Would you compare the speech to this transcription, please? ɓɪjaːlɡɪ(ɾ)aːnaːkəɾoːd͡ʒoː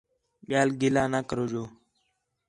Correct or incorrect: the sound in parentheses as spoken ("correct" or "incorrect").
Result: incorrect